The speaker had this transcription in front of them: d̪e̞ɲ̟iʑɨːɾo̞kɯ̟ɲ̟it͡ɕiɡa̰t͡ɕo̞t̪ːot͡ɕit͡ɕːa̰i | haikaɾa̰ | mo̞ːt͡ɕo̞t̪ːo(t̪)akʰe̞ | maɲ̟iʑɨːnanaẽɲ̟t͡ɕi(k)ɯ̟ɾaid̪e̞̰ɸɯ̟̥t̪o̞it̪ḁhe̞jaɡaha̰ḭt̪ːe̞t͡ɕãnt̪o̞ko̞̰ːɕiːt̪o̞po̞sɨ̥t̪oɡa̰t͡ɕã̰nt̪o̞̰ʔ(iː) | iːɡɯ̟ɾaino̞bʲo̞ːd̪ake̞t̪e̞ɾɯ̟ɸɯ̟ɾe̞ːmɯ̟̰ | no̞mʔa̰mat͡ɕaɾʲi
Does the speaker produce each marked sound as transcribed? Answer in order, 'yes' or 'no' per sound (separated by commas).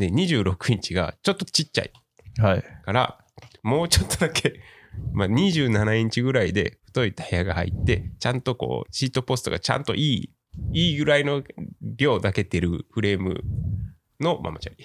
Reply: no, no, yes